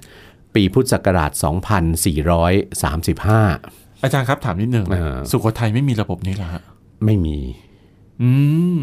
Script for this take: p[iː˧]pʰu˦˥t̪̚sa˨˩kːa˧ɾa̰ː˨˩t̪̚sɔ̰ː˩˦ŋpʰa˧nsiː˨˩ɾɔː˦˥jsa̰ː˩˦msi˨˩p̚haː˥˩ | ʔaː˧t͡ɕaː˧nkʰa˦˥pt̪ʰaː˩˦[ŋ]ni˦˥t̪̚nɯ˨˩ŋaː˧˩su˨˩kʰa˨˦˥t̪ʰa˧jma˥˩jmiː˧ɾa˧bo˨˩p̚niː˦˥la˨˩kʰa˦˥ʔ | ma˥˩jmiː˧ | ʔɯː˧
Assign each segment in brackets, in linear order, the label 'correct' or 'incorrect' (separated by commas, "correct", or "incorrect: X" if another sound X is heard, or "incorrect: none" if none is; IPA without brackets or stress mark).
correct, incorrect: m